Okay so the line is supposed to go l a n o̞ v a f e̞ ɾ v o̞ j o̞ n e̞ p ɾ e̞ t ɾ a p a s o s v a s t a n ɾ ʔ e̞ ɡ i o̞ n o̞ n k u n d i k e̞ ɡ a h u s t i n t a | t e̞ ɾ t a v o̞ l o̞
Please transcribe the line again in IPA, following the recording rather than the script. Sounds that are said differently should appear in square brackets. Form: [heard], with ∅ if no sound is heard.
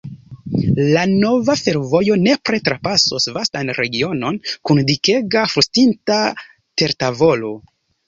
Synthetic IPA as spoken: l a n o̞ v a f e̞ ɾ v o̞ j o̞ n e̞ p ɾ e̞ t ɾ a p a s o s v a s t a n ɾ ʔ e̞ ɡ i o̞ n o̞ n k u n d i k e̞ ɡ a [f] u s t i n t a | t e̞ ɾ t a v o̞ l o̞